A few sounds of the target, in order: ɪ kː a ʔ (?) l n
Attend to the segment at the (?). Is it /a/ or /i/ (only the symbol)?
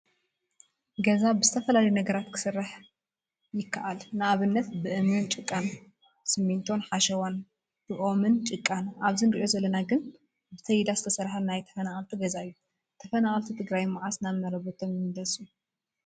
a